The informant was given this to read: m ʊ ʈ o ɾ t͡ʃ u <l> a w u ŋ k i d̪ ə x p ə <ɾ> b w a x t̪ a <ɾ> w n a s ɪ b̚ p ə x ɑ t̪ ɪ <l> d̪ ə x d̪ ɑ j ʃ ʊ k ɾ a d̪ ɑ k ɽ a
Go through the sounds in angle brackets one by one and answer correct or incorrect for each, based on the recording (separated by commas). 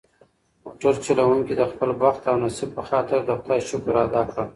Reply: correct, incorrect, incorrect, incorrect